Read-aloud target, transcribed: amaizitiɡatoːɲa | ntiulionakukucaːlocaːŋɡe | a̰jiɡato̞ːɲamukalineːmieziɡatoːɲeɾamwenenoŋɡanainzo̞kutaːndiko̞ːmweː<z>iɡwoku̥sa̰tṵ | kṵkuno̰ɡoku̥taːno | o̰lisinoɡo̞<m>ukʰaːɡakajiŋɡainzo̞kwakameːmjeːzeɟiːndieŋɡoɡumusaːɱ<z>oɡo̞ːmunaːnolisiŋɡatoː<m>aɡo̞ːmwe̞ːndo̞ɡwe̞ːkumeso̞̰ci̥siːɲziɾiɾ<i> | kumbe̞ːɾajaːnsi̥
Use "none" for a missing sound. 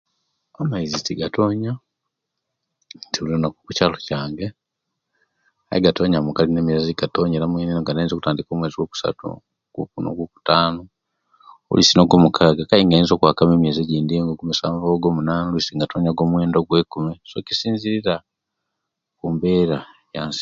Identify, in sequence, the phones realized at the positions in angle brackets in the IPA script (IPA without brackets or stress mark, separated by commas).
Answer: z, m, v, ɲ, a